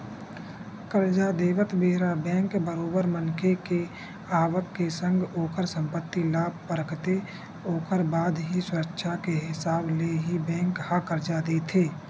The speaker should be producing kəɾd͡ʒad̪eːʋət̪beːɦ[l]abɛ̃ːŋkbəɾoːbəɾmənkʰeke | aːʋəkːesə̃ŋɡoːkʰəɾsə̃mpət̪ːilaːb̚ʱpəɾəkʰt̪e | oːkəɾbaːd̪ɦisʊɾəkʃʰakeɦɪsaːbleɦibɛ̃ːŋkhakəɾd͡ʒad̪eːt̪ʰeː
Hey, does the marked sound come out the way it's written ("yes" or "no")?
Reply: no